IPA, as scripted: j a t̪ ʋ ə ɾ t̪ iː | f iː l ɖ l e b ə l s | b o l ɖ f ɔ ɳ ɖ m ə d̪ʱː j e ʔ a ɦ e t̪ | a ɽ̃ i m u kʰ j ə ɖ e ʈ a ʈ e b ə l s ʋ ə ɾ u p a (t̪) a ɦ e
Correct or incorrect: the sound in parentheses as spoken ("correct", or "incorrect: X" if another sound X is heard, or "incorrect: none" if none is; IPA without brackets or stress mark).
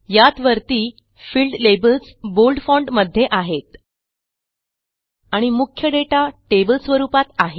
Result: correct